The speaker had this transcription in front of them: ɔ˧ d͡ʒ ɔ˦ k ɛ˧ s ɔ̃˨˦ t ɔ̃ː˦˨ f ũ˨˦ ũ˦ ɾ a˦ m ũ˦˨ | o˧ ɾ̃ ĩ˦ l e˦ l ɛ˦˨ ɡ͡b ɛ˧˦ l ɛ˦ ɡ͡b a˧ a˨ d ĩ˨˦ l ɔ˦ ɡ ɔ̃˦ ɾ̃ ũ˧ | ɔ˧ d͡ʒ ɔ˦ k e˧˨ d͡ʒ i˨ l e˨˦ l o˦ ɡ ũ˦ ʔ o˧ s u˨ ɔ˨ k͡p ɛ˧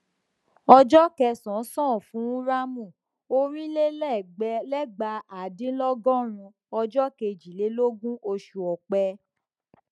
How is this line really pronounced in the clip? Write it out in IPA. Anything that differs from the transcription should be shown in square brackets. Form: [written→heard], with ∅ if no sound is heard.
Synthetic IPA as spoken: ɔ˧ d͡ʒ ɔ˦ k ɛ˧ s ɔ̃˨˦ [t→s] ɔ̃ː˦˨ f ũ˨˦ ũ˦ ɾ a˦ m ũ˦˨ | o˧ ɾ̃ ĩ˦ l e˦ l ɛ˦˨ ɡ͡b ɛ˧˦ l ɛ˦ ɡ͡b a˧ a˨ d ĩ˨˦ l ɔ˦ ɡ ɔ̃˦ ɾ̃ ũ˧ | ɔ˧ d͡ʒ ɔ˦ k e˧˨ d͡ʒ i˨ l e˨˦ l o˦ ɡ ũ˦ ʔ o˧ [s→ʃ] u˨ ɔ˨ k͡p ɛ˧